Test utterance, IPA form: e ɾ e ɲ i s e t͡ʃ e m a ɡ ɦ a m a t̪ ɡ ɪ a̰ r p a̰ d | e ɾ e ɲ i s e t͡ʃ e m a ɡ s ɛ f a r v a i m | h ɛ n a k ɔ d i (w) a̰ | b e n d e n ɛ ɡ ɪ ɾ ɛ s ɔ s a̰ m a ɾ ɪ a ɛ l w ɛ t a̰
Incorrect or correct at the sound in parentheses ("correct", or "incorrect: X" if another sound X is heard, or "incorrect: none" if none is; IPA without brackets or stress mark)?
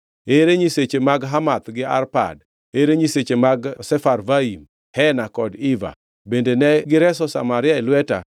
incorrect: v